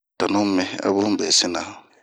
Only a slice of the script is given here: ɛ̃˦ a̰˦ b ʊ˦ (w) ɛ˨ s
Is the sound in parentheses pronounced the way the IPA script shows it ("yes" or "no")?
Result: no